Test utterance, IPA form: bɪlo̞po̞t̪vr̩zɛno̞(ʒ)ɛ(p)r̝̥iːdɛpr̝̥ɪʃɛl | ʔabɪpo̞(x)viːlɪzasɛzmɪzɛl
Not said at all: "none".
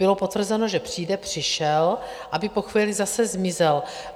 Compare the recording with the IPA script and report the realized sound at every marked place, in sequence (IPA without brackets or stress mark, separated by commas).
ʒ, p, x